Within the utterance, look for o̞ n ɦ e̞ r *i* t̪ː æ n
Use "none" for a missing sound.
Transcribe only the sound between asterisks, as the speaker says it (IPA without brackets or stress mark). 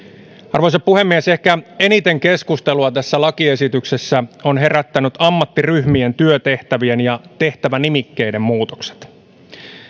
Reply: æ